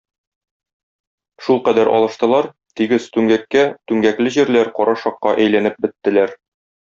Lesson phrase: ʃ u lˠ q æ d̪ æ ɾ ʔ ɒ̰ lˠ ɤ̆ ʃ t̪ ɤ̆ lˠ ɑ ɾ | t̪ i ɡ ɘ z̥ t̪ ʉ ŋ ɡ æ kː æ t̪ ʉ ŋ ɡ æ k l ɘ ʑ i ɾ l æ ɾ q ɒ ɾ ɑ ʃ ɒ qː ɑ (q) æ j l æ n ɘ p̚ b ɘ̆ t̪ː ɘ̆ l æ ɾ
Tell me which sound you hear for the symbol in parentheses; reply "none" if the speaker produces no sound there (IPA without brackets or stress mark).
ʔ